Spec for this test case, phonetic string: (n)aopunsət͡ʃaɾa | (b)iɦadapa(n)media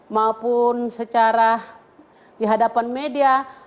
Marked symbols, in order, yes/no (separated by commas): no, no, yes